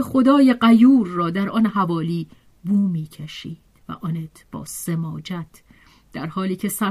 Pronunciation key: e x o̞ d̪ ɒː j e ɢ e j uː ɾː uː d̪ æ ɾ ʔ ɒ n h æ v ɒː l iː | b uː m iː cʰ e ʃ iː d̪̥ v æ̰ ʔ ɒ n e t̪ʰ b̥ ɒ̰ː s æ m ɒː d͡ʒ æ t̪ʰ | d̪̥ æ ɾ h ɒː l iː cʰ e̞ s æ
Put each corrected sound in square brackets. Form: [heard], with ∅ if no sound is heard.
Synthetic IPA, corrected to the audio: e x o̞ d̪ ɒː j e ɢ [æ] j uː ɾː [ɒː] d̪ æ ɾ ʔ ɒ n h æ v ɒː l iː | b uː m iː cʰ e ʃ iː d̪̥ v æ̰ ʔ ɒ n e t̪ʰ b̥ ɒ̰ː s [e] m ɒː d͡ʒ æ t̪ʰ | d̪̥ æ ɾ h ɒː l iː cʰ e̞ s æ